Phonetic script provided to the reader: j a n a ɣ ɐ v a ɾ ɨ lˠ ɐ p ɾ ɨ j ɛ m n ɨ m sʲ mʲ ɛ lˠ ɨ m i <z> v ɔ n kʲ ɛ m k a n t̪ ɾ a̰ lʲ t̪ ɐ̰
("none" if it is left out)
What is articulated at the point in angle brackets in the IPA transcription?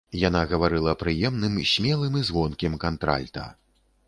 z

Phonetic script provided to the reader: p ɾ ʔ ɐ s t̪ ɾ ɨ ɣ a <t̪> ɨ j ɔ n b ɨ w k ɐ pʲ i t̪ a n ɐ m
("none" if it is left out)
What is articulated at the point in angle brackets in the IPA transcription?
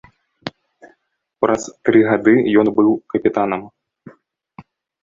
d̪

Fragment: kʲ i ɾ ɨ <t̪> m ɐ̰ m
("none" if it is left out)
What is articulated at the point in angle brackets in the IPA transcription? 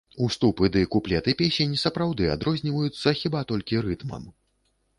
t̪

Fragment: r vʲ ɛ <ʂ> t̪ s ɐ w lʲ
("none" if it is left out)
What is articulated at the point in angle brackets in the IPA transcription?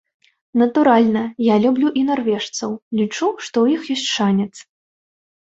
ʂ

